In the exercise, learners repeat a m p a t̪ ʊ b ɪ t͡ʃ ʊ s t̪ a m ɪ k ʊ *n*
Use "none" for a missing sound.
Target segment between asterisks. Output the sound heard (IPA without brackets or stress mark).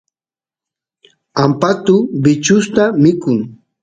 ŋ